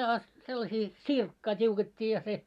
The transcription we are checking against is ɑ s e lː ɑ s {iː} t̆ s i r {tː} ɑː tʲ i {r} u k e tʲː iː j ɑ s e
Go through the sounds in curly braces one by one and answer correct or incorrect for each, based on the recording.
correct, incorrect, incorrect

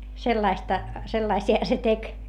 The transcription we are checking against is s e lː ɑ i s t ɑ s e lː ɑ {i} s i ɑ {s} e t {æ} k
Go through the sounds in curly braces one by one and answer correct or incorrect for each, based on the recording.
correct, correct, incorrect

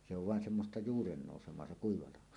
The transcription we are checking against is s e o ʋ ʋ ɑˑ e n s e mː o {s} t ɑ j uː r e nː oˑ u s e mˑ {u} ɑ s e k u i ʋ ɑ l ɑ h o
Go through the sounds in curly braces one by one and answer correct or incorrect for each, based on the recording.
correct, incorrect

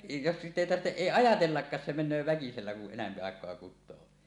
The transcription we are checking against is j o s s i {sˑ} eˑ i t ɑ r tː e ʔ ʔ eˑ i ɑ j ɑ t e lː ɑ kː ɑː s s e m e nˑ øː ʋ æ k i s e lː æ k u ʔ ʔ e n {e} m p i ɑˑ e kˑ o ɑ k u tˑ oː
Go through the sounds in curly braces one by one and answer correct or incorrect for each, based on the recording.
incorrect, incorrect

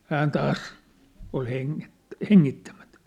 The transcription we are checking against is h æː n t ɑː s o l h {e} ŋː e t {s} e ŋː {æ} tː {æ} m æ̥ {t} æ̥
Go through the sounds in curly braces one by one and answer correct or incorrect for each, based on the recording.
correct, incorrect, incorrect, correct, correct

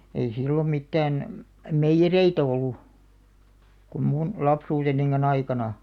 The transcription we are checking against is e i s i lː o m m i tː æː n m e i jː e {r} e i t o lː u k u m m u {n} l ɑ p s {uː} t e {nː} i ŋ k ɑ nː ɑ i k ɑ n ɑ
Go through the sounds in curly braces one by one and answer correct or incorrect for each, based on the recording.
correct, correct, correct, correct

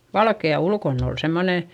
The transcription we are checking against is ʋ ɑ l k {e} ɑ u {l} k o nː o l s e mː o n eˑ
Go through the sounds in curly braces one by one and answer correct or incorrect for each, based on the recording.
correct, correct

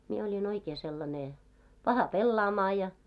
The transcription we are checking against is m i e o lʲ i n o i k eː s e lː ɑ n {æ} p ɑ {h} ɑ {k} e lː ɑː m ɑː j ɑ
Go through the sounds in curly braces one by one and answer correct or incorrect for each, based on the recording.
incorrect, correct, incorrect

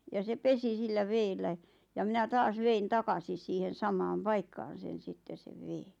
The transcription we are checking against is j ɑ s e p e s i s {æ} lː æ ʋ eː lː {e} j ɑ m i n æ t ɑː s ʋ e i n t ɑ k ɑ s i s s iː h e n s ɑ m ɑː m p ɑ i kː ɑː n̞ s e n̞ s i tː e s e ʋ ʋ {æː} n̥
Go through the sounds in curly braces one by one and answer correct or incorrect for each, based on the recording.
incorrect, incorrect, incorrect

